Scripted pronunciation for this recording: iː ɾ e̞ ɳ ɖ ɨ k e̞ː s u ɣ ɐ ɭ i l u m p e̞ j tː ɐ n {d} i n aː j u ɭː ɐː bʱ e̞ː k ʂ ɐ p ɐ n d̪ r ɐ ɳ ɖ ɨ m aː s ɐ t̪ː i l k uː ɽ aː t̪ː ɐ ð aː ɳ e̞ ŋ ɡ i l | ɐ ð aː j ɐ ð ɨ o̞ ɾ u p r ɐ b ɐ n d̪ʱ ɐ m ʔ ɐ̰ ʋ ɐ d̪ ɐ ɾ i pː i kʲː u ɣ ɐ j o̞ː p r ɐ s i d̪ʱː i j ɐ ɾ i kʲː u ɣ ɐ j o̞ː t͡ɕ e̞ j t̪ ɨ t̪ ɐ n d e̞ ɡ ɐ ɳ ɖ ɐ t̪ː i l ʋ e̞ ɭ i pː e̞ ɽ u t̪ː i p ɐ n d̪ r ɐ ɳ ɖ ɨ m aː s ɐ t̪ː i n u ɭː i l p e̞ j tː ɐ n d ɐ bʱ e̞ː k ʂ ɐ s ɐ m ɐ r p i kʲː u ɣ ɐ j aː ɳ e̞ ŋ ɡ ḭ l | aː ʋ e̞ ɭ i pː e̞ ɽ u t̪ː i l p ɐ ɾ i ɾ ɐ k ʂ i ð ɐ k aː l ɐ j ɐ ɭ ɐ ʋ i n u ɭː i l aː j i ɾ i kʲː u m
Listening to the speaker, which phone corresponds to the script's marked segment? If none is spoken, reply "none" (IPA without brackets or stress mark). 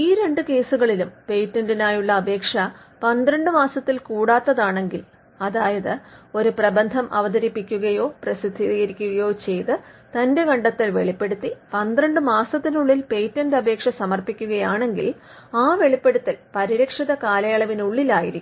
d